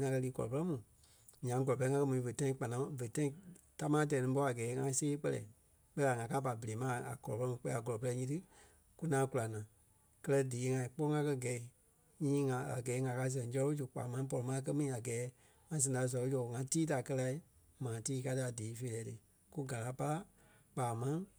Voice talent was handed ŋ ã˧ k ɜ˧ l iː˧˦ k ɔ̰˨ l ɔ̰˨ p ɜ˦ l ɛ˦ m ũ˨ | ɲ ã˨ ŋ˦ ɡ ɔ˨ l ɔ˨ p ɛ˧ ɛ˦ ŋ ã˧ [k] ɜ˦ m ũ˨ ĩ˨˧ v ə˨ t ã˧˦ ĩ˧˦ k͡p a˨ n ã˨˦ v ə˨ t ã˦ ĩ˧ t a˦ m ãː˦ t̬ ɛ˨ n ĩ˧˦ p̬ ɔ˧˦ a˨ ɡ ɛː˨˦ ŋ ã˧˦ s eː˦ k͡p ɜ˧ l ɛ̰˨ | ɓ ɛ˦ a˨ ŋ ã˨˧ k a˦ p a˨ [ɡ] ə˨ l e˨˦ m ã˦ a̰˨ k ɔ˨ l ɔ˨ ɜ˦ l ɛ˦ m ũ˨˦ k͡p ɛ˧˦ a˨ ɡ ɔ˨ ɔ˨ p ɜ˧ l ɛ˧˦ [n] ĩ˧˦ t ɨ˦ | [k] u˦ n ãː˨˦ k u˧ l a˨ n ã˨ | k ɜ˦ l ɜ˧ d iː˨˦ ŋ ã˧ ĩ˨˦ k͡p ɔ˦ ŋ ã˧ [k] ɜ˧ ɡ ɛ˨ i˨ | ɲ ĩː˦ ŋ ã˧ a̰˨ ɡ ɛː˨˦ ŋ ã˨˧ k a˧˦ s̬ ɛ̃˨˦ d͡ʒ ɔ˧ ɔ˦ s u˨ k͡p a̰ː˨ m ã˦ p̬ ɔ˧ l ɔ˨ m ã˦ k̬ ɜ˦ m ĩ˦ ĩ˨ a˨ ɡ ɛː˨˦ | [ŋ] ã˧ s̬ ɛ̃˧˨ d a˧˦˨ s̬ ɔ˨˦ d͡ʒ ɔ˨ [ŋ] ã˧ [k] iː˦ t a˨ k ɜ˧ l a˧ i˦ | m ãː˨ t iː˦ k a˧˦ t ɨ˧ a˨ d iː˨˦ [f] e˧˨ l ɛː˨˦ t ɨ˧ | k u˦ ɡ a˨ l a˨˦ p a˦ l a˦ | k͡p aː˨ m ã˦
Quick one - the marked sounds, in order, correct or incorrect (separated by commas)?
correct, incorrect, incorrect, correct, correct, correct, correct, incorrect, correct